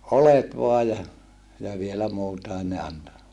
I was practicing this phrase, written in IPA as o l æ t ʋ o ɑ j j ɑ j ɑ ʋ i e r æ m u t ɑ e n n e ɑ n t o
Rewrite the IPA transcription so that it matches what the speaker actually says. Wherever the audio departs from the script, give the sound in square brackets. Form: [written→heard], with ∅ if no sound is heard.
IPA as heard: o l [æ→e] t ʋ o ɑ j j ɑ j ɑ ʋ i e [r→l] æ m [u→uː] t ɑ e n n e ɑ n t o